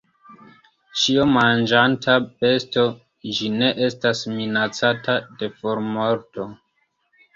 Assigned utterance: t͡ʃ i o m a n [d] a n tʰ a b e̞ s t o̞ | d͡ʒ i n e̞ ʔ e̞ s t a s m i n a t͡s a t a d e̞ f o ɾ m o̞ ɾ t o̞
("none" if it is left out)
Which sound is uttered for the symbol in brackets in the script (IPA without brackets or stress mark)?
d͡ʒ